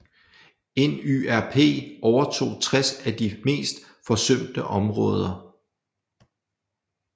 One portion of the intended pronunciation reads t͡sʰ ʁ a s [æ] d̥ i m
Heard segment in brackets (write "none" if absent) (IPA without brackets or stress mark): æ